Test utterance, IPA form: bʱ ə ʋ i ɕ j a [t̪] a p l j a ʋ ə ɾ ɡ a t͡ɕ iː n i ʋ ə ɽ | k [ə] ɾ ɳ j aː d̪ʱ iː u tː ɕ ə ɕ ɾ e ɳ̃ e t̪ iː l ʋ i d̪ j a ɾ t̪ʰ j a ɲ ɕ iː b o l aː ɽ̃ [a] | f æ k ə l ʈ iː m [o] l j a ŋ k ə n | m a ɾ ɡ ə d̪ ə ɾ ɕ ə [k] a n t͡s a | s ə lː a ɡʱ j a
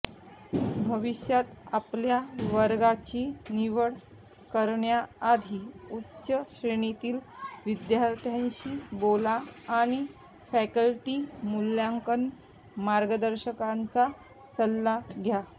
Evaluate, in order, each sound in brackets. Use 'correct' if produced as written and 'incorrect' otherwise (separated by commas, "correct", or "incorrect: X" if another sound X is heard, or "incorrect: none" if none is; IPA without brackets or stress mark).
correct, correct, incorrect: i, incorrect: u, correct